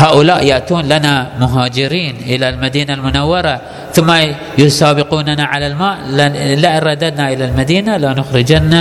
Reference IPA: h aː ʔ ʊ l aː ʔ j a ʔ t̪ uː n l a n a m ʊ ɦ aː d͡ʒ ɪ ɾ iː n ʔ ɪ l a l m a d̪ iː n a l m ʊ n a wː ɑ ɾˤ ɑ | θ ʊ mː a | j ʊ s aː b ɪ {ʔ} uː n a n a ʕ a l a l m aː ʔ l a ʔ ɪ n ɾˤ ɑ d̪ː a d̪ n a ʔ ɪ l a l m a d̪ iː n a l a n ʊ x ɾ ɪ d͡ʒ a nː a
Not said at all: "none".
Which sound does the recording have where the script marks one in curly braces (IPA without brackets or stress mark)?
q